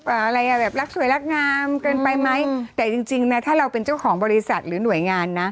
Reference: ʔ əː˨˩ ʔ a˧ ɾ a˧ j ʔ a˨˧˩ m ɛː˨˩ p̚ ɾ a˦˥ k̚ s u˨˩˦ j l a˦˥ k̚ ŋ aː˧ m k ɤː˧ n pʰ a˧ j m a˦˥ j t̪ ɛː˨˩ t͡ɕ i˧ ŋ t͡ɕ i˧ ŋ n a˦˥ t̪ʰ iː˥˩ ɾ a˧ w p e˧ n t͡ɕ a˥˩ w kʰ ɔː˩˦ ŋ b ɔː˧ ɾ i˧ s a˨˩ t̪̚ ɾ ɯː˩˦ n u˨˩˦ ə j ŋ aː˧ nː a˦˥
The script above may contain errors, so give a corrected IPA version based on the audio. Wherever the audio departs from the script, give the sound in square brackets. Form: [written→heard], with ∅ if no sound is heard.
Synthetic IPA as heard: ʔ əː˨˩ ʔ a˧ ɾ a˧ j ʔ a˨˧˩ [m→b] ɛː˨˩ p̚ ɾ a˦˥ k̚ s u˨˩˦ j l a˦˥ k̚ ŋ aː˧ m k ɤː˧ n [pʰ→p] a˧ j m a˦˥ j t̪ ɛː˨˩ t͡ɕ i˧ ŋ t͡ɕ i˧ ŋ n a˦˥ t̪ʰ [iː˥˩→aː˥˩] ɾ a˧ w p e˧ n t͡ɕ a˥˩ w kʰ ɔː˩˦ ŋ b ɔː˧ ɾ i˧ s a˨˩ t̪̚ ɾ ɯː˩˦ n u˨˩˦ ə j ŋ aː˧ nː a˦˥